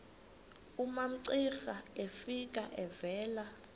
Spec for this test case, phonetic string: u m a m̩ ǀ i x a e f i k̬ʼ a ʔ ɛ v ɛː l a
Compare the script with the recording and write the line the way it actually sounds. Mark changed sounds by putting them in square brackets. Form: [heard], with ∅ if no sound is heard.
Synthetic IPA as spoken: u m a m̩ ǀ i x a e f i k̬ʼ a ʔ ɛ v ɛː l a